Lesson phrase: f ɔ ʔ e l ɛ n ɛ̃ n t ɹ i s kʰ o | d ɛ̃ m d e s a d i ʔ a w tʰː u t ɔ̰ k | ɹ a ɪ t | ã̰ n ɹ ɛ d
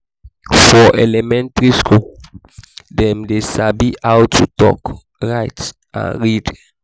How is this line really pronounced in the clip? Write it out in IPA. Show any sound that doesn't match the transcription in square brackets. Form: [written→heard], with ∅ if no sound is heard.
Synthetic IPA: f ɔ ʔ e l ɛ [n→m] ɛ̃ n t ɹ i s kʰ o | d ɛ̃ m d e s a [d→b] i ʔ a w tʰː u t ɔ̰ k | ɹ a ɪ t | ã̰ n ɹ [ɛ→i] d